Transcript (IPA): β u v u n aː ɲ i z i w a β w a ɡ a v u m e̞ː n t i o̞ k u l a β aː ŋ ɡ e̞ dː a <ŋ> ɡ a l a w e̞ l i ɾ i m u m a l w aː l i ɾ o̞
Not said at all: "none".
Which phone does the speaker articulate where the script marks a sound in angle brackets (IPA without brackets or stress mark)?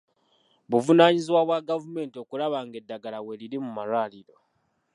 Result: none